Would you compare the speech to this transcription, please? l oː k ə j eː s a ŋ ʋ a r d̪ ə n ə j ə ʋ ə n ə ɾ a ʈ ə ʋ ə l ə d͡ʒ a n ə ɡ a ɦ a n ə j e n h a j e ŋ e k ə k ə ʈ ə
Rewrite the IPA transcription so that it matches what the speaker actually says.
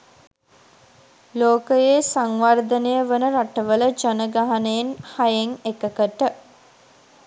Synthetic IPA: l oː k ə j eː s a ŋ ʋ a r d̪ ə n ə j ə ʋ ə n ə ɾ a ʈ ə ʋ ə l ə d͡ʒ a n ə ɡ a ɦ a n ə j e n h a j e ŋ e k ə k ə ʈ ə